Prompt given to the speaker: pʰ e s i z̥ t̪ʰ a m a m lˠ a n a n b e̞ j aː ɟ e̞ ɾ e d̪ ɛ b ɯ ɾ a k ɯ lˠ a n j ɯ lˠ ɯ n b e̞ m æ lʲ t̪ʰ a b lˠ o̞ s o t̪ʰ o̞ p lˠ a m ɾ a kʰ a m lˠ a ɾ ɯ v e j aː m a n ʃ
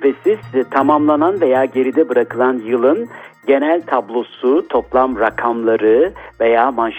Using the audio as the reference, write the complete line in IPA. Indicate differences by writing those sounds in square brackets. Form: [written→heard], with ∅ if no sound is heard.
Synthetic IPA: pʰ e s i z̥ t̪ʰ a m a m lˠ a n a n [b→v] e̞ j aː ɟ e̞ ɾ [e→i] d̪ ɛ b ɯ ɾ a k ɯ lˠ a n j ɯ lˠ ɯ n [b→ɟ] e̞ [m→n] æ lʲ t̪ʰ a b lˠ o̞ s [o→u] t̪ʰ o̞ p lˠ a m ɾ a kʰ a m lˠ a ɾ ɯ v e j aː m a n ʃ